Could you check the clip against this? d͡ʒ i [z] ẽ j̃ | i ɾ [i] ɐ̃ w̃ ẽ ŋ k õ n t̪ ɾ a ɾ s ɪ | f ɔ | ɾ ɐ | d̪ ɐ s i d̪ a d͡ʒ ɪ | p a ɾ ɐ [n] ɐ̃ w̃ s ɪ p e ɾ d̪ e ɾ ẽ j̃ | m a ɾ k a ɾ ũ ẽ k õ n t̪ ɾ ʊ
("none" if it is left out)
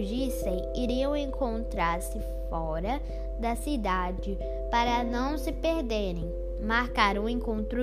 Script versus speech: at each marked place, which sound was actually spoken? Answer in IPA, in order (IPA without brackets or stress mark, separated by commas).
s, i, n